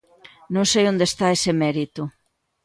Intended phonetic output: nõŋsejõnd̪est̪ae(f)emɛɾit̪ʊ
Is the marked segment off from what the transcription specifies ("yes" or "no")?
yes